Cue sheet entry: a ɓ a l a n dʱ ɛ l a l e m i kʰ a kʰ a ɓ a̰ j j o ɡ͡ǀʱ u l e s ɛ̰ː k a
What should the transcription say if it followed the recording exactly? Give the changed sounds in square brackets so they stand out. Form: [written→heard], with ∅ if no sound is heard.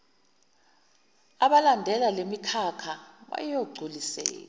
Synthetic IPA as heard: a ɓ a l a n dʱ ɛ l a l e m i kʰ a kʰ a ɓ a̰ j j o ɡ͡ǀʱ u l [e→i] s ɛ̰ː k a